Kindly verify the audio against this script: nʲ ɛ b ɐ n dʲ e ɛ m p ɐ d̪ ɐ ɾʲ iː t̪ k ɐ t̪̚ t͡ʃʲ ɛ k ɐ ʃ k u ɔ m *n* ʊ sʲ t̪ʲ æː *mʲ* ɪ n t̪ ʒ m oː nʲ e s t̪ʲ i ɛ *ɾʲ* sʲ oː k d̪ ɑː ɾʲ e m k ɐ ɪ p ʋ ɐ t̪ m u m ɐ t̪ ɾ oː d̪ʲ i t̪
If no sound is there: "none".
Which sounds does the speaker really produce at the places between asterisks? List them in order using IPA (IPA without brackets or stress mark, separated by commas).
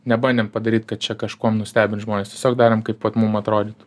n, bʲ, none